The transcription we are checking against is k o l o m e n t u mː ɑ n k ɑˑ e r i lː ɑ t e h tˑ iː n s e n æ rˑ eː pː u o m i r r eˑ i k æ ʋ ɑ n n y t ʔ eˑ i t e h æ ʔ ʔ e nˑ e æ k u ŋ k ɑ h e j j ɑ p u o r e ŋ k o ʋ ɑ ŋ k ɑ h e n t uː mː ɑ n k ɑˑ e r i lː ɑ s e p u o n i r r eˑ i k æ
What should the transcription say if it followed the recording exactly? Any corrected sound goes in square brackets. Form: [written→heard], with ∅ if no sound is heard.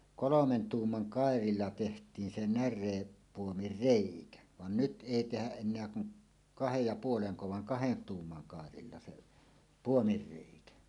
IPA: k o l o m e n t [u→uː] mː ɑ n k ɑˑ e r i lː ɑ t e h tˑ iː n s e n æ rˑ eː pː u o m i r r eˑ i k æ ʋ ɑ n n y t ʔ eˑ i t e h æ ʔ ʔ e nˑ e æ k u ŋ k ɑ h e j j ɑ p u o [r→l] e ŋ k o ʋ ɑ ŋ k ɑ h e n t uː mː ɑ n k ɑˑ e r i lː ɑ s e p u o [n→m] i r r eˑ i k æ